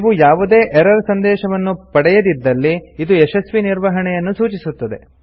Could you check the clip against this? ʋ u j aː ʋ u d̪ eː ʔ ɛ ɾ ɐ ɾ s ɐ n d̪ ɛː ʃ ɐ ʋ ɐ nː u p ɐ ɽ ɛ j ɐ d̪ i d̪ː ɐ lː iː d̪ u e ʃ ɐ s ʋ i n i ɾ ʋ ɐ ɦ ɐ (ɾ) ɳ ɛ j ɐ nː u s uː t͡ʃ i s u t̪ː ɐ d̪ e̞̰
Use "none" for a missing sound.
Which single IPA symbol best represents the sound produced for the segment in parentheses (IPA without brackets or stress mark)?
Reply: none